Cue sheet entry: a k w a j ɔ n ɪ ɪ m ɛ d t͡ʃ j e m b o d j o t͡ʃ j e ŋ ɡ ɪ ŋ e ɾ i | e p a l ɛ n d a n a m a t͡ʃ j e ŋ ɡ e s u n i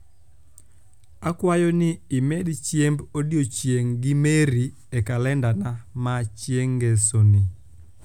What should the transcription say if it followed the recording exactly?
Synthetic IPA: a k w a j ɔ n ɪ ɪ m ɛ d t͡ʃ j e m b o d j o t͡ʃ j e ŋ ɡ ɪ m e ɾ i | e k a l ɛ n d a n a m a t͡ʃ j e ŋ ɡ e s o n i